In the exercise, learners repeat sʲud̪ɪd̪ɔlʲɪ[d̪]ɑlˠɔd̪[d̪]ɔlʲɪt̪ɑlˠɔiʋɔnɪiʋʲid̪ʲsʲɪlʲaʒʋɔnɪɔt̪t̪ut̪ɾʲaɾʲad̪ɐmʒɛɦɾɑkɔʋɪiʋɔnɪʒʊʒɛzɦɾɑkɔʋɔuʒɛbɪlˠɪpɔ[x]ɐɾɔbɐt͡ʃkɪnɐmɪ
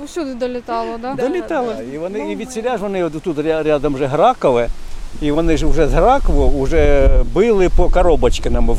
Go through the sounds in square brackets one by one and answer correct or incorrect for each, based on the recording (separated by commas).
incorrect, correct, incorrect